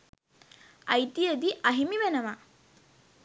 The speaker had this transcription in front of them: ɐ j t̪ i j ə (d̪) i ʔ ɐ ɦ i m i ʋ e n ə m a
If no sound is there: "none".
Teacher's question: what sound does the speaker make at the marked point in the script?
d̪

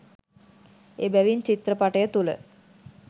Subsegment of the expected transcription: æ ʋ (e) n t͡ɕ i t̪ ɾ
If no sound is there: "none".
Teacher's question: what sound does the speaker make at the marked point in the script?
i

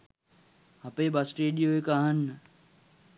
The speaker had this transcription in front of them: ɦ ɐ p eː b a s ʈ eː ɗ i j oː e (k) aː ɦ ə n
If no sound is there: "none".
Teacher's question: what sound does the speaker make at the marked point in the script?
k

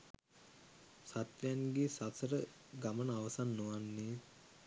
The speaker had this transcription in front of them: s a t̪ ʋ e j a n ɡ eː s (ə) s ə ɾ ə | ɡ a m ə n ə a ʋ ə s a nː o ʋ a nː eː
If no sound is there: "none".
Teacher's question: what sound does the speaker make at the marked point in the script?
a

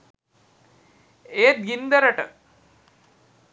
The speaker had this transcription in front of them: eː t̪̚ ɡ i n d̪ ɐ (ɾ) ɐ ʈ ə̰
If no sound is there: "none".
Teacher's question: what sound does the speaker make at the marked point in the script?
ɾ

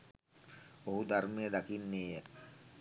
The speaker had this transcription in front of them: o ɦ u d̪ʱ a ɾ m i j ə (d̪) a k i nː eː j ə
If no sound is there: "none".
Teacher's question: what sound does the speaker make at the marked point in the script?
d̪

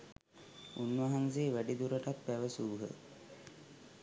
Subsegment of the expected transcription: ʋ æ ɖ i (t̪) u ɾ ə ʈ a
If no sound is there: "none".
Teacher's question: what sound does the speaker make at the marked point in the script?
d̪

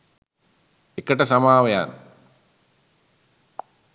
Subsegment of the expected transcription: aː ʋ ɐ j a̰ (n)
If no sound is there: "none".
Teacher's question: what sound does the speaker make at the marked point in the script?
n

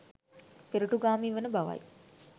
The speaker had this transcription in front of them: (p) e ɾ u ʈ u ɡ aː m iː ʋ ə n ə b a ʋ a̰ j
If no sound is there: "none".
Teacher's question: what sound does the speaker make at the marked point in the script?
p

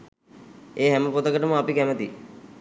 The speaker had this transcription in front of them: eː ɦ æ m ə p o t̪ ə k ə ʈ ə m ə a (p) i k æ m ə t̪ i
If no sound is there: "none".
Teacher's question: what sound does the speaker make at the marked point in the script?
p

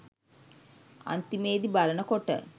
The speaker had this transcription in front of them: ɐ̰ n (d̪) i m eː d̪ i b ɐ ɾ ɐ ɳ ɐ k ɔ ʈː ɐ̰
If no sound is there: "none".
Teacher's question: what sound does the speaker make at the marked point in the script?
t̪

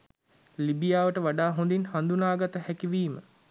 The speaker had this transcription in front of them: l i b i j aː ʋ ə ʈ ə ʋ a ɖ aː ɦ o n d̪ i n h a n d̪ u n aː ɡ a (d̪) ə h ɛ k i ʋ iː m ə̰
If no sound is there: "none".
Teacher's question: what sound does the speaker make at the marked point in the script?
t̪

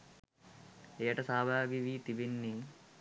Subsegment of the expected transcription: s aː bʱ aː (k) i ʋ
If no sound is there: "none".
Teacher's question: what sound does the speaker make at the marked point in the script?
ɡ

